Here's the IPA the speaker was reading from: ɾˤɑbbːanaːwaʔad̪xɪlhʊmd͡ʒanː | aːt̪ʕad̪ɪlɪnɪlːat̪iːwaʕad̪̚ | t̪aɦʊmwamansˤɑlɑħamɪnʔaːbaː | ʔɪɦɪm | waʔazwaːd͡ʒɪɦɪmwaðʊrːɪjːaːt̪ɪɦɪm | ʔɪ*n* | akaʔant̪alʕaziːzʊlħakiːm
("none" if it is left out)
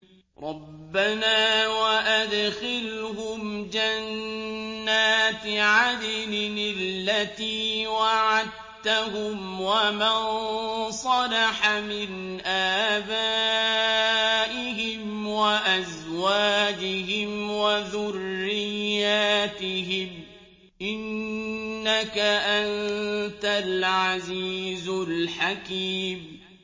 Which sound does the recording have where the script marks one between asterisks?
nː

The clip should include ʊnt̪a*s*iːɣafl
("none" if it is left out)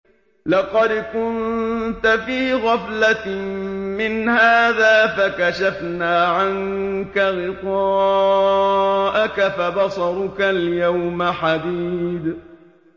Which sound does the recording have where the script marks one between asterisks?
f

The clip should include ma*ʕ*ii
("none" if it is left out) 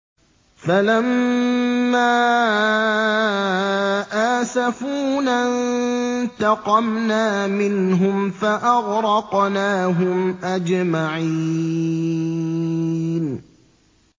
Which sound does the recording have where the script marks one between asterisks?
ʕ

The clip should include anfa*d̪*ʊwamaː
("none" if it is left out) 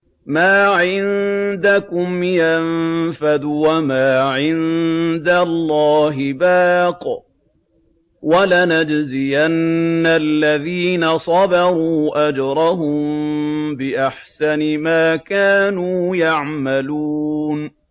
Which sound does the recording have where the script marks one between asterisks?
d̪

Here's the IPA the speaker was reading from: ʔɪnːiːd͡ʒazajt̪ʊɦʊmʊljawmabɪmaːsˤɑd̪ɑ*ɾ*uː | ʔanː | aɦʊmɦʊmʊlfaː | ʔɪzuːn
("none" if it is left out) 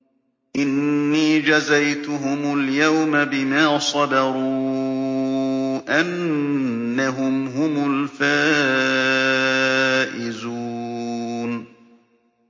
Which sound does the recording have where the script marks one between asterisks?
ɾ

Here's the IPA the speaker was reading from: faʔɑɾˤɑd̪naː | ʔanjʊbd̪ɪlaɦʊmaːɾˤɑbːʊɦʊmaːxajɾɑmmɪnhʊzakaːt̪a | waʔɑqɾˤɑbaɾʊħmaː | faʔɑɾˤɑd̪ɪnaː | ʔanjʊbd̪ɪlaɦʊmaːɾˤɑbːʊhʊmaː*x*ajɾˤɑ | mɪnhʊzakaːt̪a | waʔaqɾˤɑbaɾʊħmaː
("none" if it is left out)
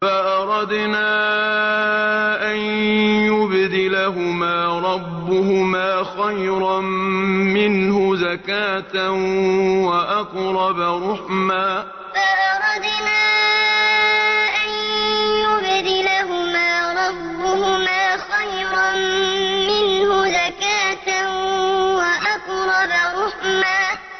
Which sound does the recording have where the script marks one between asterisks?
x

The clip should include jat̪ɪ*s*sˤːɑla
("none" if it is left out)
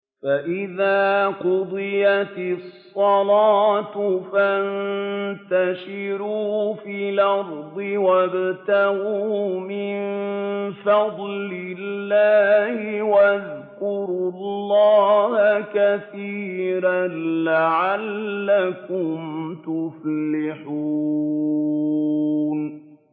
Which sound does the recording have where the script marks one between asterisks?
s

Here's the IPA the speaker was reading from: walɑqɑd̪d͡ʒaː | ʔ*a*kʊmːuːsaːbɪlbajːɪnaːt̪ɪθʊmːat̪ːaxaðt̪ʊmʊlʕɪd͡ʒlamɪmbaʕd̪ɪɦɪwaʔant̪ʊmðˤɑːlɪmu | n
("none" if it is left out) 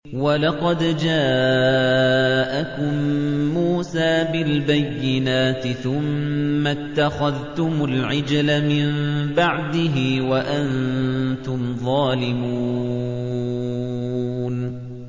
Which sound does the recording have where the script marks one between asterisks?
a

